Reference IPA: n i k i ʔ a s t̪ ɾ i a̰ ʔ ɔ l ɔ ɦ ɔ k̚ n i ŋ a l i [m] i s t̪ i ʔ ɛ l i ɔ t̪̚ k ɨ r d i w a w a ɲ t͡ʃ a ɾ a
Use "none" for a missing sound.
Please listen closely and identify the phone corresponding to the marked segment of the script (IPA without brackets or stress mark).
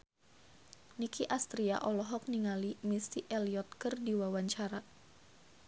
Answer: m